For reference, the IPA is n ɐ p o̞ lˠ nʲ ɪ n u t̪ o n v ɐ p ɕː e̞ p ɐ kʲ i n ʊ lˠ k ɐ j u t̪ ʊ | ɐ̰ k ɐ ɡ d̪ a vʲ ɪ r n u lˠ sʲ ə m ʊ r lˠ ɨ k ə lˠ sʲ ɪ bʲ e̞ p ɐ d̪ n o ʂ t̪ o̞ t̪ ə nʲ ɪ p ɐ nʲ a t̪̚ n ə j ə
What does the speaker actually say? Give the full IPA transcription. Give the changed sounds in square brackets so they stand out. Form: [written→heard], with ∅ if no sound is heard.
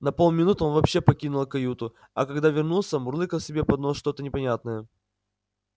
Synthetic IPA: n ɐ p o̞ lˠ [nʲ→mʲ] ɪ n u t̪ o n v ɐ p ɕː e̞ p ɐ kʲ i n ʊ lˠ k ɐ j u t̪ ʊ | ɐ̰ k ɐ ɡ d̪ a vʲ ɪ r n u lˠ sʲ ə m ʊ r lˠ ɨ k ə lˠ sʲ ɪ bʲ e̞ p ɐ d̪ n o ʂ t̪ o̞ t̪ ə nʲ ɪ p ɐ nʲ a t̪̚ n ə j ə